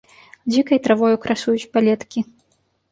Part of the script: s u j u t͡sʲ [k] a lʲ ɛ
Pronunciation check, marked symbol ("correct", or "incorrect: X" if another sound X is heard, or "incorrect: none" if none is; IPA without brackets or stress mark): incorrect: p